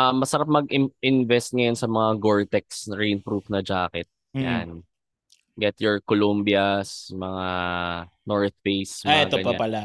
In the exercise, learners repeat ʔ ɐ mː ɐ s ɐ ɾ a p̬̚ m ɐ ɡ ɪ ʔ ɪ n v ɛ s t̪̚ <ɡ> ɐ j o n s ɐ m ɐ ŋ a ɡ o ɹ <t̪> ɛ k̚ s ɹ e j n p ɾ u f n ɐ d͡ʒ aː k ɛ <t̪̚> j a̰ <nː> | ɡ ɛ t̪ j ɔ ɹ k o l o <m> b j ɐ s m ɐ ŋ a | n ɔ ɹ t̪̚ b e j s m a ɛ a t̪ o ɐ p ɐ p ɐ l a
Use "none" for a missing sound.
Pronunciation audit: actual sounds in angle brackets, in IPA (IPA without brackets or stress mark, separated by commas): ŋ, t̪, t̪̚, n, m